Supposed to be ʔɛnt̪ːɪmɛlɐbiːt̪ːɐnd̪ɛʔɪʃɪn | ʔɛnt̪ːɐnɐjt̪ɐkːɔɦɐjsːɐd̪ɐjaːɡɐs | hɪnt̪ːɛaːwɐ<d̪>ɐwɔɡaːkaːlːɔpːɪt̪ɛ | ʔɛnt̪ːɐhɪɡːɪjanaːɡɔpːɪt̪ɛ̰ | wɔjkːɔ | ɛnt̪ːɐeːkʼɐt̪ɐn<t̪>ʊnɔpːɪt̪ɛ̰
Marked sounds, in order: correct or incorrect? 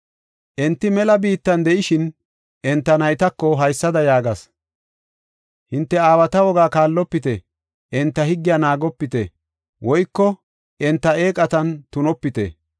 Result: incorrect: t̪, correct

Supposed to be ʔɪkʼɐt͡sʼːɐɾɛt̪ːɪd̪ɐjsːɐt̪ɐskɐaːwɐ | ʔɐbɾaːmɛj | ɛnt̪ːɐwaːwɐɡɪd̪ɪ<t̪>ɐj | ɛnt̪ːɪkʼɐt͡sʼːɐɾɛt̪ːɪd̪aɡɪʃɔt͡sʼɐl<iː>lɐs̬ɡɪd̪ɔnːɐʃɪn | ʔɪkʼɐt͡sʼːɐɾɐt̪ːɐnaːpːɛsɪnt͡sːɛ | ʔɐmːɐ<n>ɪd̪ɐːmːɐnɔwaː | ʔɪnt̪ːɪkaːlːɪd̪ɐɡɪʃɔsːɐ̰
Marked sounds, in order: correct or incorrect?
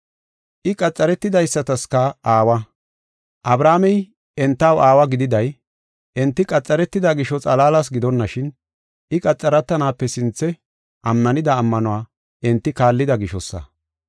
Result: incorrect: d̪, incorrect: aː, correct

